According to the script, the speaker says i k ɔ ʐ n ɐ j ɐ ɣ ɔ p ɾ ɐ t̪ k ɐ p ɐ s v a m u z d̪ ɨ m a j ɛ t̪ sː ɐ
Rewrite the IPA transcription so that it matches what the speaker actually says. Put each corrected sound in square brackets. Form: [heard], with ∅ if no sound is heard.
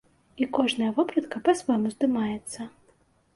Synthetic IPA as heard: i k ɔ ʐ n ɐ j ɐ [v] ɔ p ɾ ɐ t̪ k ɐ p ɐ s v a m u z d̪ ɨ m a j ɛ t̪ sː ɐ